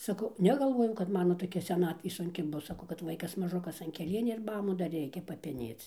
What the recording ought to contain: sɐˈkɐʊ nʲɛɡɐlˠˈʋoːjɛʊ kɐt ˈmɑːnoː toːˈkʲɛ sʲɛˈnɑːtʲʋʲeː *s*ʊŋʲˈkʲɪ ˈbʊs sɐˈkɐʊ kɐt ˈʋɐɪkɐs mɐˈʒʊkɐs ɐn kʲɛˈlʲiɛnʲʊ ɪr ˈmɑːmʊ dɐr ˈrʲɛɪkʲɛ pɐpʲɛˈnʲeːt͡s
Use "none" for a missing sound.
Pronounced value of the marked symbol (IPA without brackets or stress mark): s